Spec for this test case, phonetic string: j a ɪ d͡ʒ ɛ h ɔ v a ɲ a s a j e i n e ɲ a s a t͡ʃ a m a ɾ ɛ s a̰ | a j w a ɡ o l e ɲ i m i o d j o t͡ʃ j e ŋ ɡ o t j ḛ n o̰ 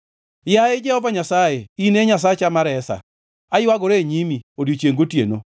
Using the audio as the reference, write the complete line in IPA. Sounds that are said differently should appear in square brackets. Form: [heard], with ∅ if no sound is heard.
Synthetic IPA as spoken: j a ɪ d͡ʒ ɛ h ɔ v a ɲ a s a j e i n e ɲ a s a t͡ʃ a m a ɾ ɛ s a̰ | a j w a ɡ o [ɾ] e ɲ i m i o d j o t͡ʃ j e ŋ ɡ o t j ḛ n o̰

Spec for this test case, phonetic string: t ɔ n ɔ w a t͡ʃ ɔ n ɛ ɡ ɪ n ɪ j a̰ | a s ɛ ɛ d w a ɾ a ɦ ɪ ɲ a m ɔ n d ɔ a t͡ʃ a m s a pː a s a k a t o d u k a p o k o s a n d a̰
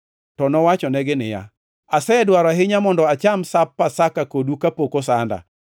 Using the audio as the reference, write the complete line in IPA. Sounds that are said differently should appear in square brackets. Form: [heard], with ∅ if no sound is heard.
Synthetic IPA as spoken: t ɔ n ɔ w a t͡ʃ ɔ n ɛ ɡ ɪ n ɪ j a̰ | a s ɛ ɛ d w a ɾ a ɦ ɪ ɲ a m ɔ n d ɔ a t͡ʃ a m s a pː a s a k a [k] o d u k a p o k o s a n d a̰

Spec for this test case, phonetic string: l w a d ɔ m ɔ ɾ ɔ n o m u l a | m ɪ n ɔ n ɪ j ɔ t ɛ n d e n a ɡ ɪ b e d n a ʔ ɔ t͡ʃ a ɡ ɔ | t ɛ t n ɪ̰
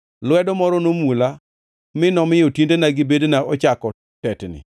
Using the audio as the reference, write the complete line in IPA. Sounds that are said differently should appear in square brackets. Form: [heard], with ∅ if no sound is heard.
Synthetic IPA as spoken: l w [ɛ] d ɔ m ɔ ɾ ɔ n o m u l a | m ɪ n ɔ [m] ɪ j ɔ t [i] n d e n a ɡ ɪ b e d n a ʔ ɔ t͡ʃ a [k] ɔ | t ɛ t n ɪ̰

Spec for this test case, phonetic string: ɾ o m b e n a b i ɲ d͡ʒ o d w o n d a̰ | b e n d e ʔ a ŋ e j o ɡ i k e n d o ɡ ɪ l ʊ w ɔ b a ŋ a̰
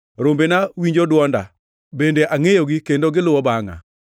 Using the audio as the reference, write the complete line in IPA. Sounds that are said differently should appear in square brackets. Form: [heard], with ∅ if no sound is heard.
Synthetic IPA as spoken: ɾ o m b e n a [w] i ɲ d͡ʒ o d w [ɔ] n d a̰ | b e n d e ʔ a ŋ e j o ɡ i k e n d o ɡ ɪ l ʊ w ɔ b a ŋ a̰

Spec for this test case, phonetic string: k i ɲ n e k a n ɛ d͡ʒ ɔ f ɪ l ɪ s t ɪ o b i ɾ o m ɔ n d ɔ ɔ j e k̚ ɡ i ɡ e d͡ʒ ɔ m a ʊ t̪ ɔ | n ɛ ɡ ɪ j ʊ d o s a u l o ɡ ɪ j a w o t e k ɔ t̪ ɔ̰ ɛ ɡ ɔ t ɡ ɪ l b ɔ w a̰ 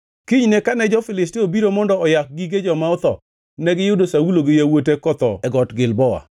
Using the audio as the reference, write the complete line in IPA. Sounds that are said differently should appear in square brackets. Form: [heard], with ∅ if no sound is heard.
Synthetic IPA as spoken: k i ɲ n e k a n ɛ d͡ʒ ɔ f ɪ l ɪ s t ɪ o b i ɾ o m ɔ n d ɔ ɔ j [a] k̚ ɡ i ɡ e d͡ʒ ɔ m a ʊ t̪ ɔ | n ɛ ɡ ɪ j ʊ d o s a u l o ɡ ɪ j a w o t e k ɔ t̪ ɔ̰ ɛ ɡ ɔ t ɡ ɪ l b ɔ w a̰

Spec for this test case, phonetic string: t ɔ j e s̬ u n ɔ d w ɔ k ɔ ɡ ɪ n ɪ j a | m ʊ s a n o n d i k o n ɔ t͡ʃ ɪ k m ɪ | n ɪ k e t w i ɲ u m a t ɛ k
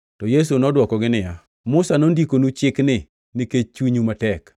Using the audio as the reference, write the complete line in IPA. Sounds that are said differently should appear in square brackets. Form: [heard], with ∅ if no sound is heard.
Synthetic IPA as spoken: t ɔ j e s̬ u n ɔ d w ɔ k ɔ ɡ ɪ n ɪ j a | m ʊ s a n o n d i k o n [u] t͡ʃ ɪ k [n] ɪ | n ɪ k e [t͡ʃ] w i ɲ u m a t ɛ k

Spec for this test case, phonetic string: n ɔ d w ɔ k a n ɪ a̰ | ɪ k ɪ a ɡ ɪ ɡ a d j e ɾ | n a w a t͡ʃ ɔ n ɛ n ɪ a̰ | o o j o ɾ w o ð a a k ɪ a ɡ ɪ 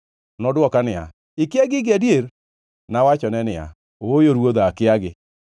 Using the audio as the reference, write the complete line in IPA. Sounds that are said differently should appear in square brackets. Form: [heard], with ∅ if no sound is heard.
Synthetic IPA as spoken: n ɔ d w ɔ k a n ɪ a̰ | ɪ k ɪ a ɡ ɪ ɡ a d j e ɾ | n a w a t͡ʃ ɔ n ɛ n ɪ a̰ | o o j o ɾ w o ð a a k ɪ a ɡ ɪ

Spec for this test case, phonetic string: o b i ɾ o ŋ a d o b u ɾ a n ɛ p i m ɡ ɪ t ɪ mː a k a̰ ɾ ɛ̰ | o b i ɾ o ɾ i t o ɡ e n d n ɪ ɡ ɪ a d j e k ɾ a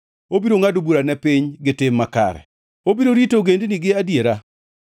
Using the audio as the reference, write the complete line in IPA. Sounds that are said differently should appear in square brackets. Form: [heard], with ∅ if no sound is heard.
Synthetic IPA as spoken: o b i ɾ o ŋ a d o b u ɾ a n ɛ p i [ɲ] ɡ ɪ t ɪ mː a k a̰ ɾ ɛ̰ | o b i ɾ o ɾ i t o ɡ e n d n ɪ ɡ ɪ a d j e [∅] ɾ a

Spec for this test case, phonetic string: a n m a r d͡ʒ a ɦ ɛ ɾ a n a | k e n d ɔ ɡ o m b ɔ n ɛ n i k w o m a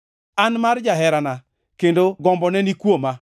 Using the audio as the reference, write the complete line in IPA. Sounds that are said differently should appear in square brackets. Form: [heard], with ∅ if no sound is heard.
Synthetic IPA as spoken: a n m a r d͡ʒ a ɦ ɛ ɾ a n a | k e n d [o] ɡ [ɔ] m b ɔ n ɛ n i k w o m a

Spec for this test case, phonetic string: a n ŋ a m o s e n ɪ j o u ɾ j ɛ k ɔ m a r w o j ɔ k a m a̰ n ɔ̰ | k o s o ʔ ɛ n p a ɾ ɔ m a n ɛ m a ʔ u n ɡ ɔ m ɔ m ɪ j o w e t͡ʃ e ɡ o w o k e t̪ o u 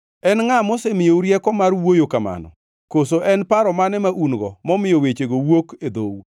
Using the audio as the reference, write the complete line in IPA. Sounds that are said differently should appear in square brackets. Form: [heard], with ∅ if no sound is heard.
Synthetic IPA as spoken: [ɛ] n ŋ a m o s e [m] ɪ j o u ɾ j ɛ k ɔ m a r w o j [o] k a m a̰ n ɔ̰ | k o s o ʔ ɛ n p a ɾ ɔ m a n ɛ m a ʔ u n ɡ ɔ m ɔ m ɪ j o w e t͡ʃ e ɡ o w o k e [d̪] o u

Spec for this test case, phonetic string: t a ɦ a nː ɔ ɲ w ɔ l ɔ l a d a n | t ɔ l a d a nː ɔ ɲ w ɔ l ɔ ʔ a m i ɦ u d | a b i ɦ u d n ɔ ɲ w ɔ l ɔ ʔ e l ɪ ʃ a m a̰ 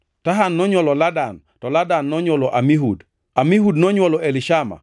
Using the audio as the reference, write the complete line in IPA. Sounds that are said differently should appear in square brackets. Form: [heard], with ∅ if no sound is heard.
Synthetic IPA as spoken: t a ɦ a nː ɔ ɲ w ɔ l ɔ l a d a n | t ɔ l a d a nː ɔ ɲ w ɔ l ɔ ʔ a m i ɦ u d | a [m] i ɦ u d n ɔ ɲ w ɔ l ɔ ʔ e l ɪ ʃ a m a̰

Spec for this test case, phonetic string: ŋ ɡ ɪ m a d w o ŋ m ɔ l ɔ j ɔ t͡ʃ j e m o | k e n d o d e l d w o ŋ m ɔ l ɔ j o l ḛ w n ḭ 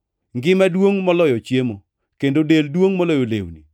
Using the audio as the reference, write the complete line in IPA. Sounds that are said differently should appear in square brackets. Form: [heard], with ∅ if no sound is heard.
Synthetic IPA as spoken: ŋ ɡ ɪ m a d w o ŋ m ɔ l ɔ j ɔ t͡ʃ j e m o | k e n d o d e l d w o ŋ m ɔ l ɔ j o l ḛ w n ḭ

